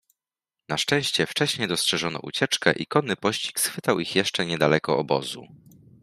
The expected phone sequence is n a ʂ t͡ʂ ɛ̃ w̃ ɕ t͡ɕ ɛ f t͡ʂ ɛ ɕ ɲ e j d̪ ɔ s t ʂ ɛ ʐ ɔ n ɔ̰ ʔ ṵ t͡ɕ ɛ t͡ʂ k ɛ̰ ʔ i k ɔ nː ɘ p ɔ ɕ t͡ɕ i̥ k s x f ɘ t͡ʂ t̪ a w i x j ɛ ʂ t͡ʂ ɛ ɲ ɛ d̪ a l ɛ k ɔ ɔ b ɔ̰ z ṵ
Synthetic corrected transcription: n a ʂ t͡ʂ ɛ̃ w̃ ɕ t͡ɕ ɛ f t͡ʂ ɛ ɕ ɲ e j d̪ ɔ s t ʂ ɛ ʐ ɔ n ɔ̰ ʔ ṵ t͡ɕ ɛ t͡ʂ k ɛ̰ ʔ i k ɔ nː ɘ p ɔ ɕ t͡ɕ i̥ k s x f ɘ t̪ a w i x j ɛ ʂ t͡ʂ ɛ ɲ ɛ d̪ a l ɛ k ɔ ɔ b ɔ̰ z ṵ